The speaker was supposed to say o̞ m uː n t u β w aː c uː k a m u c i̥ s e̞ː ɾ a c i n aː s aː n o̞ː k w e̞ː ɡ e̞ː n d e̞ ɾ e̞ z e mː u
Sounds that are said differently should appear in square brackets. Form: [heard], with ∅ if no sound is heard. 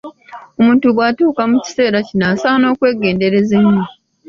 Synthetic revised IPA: o̞ m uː n t u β w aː [t] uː k a m u c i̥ s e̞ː ɾ a c i n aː s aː n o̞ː k w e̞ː ɡ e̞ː n d e̞ ɾ e̞ z e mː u